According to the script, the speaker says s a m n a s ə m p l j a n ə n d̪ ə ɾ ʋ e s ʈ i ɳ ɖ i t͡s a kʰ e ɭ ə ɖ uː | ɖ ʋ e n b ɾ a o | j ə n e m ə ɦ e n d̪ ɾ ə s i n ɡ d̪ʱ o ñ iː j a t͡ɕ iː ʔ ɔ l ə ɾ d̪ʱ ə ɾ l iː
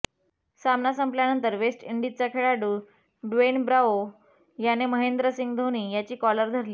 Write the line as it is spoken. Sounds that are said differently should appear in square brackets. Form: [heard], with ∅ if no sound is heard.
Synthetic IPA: s a m n a s ə m p l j a n ə n [t̪] ə ɾ ʋ e s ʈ i ɳ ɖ i t͡s a kʰ e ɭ [a] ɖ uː | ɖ ʋ e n b ɾ a o | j [a] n e m ə ɦ e n d̪ ɾ ə s i [ŋ] ɡ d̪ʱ o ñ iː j a t͡ɕ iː [k] ɔ l ə ɾ d̪ʱ ə ɾ l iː